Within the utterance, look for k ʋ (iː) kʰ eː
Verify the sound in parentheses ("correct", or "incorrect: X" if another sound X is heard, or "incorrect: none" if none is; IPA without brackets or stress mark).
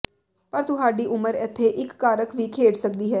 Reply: correct